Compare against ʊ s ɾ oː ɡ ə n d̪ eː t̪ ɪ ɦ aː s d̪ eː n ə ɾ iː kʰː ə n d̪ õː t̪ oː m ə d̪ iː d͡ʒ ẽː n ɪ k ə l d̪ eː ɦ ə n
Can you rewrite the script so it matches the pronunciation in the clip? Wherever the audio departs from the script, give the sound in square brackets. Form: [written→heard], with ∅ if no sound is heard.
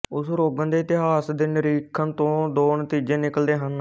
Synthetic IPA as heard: ʊ s ɾ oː ɡ ə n d̪ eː t̪ ɪ ɦ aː s d̪ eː n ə ɾ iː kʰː ə n [d̪→t̪] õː [t̪→d̪] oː [m→n] ə [d̪→t̪] iː d͡ʒ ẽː n ɪ k ə l d̪ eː ɦ ə n